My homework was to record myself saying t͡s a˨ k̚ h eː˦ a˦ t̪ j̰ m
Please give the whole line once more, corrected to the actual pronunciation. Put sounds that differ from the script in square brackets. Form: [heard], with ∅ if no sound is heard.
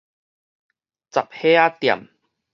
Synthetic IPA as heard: t͡s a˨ [p̚] h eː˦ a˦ t̪ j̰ m